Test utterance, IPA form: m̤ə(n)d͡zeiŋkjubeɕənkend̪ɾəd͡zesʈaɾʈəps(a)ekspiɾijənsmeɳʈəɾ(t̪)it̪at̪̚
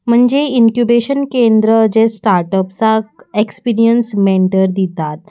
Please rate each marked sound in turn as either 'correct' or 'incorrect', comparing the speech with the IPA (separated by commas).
incorrect, correct, incorrect